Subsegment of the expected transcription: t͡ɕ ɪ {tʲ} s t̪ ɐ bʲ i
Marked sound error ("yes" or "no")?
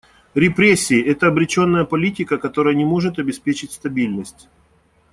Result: no